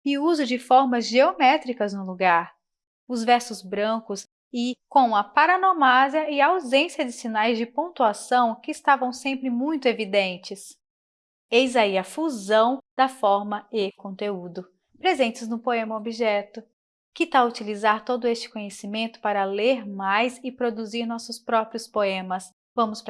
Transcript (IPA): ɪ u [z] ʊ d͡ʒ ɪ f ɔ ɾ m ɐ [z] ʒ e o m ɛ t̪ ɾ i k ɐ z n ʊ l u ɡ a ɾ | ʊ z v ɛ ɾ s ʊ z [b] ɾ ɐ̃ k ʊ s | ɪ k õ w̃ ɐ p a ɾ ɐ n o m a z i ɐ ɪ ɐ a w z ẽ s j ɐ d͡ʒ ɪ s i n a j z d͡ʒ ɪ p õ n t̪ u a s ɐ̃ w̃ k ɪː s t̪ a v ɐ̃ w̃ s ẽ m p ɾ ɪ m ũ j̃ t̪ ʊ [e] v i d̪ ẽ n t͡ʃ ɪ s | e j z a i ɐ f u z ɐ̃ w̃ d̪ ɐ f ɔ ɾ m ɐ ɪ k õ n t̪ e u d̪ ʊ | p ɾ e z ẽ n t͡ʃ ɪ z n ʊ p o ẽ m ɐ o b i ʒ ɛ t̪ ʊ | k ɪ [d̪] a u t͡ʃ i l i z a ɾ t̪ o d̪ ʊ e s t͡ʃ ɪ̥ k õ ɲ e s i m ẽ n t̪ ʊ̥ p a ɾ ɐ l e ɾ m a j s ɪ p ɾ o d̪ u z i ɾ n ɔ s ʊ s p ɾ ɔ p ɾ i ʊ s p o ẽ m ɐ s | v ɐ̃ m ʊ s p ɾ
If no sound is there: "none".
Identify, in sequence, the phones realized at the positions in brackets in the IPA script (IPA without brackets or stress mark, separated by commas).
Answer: z, z, b, e, t̪